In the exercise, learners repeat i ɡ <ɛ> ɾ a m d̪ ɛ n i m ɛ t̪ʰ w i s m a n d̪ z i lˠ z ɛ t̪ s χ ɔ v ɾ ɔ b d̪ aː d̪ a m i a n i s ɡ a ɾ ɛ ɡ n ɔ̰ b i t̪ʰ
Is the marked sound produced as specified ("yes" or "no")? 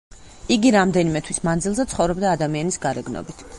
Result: no